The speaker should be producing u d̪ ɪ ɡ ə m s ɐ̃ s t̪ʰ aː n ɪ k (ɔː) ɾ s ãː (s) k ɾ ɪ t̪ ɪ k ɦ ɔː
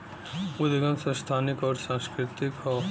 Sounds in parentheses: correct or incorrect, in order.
correct, correct

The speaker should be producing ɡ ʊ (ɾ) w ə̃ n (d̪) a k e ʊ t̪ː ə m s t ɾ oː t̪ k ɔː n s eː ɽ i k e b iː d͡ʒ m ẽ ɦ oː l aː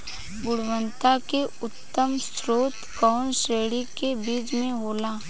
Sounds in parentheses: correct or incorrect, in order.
incorrect: ɽ, incorrect: t̪

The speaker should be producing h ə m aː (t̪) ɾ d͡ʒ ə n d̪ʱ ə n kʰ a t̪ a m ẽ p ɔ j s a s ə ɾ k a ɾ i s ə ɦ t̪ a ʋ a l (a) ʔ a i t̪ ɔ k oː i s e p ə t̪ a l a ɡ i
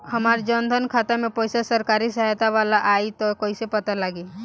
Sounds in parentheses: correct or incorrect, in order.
incorrect: none, correct

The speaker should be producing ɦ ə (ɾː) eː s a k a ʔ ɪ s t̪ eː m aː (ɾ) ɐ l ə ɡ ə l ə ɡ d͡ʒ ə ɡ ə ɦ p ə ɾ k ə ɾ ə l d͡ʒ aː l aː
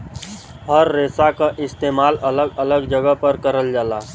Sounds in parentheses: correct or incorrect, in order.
correct, incorrect: l

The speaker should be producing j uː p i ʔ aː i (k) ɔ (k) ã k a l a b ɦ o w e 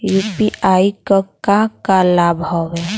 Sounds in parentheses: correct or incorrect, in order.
correct, correct

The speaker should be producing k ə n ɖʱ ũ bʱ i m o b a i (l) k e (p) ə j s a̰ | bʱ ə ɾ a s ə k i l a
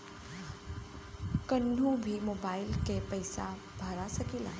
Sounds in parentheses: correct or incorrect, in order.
correct, correct

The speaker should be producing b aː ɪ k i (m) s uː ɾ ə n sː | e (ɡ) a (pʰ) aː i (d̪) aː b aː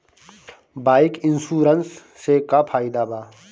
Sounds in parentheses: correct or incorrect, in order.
incorrect: n, incorrect: k, correct, correct

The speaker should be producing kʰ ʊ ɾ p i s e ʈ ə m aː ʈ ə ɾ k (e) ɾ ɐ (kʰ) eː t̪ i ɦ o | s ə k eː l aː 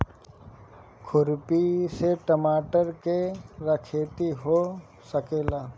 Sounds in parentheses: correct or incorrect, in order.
correct, correct

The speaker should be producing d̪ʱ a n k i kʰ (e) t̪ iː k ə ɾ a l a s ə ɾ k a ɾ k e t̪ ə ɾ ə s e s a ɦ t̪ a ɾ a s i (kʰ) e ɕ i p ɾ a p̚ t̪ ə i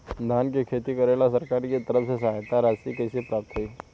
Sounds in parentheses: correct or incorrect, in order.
correct, incorrect: k

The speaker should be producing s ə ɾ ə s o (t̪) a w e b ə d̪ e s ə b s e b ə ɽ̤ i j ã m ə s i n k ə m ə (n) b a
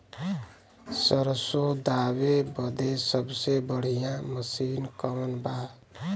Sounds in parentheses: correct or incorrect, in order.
incorrect: d̪, correct

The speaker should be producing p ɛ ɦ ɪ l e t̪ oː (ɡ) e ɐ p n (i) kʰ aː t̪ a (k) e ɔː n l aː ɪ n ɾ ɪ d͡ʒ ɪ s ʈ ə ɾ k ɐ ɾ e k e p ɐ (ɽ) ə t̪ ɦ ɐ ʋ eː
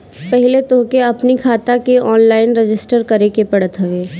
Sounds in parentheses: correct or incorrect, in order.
incorrect: k, correct, correct, correct

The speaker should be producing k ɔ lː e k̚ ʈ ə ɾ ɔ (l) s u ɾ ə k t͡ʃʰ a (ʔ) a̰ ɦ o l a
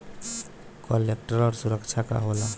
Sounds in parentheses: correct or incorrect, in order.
incorrect: ɾ, incorrect: k

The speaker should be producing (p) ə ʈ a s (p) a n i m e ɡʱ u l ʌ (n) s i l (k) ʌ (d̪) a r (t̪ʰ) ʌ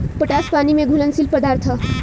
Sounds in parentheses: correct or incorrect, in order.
correct, correct, correct, incorrect: p, correct, correct

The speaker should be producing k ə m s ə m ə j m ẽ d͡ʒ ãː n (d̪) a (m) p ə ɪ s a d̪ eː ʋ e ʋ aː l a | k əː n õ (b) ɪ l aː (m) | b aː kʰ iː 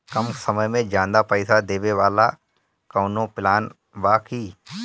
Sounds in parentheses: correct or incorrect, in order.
correct, incorrect: none, incorrect: p, incorrect: n

